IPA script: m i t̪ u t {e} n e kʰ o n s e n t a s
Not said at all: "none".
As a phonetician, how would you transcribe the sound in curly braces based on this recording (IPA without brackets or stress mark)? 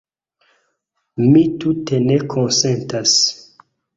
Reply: e